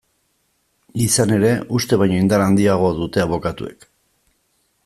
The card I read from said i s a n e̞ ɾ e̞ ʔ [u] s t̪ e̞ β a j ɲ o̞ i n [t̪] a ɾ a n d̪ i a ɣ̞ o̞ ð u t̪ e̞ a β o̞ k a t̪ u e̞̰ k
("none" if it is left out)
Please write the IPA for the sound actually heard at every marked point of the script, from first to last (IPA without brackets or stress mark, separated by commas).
u, d̪